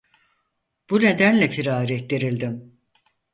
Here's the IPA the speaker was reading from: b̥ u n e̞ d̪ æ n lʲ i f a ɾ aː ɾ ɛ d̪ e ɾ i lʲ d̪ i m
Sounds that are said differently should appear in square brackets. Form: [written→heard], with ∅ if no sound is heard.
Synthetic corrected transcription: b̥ u n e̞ d̪ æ n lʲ [i→ɛ] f [a→i] ɾ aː ɾ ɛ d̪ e ɾ i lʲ d̪ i m